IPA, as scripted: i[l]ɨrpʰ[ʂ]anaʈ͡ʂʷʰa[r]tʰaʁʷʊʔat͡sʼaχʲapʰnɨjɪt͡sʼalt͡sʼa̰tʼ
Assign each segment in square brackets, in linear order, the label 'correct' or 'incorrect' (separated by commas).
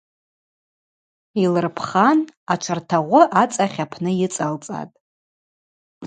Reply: correct, incorrect, correct